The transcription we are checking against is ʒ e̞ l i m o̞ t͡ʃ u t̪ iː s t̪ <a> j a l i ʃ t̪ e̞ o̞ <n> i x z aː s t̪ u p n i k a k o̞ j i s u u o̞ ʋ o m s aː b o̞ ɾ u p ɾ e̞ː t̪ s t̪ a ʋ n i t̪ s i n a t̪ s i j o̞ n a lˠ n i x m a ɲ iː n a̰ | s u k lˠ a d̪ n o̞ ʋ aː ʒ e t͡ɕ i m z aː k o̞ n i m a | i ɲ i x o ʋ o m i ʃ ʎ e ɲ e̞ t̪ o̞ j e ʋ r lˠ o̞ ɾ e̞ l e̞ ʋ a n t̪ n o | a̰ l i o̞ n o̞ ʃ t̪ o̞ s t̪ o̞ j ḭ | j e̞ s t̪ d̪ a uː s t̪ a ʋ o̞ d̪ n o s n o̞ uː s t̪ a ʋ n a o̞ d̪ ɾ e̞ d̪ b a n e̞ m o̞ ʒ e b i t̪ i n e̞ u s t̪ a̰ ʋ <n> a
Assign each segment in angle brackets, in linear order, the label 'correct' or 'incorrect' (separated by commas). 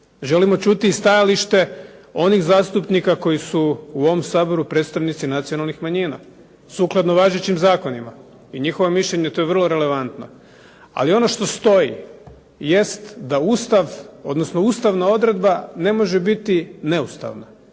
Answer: correct, correct, correct